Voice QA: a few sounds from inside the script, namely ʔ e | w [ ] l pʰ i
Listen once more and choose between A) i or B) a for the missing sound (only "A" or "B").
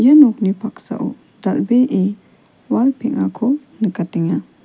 B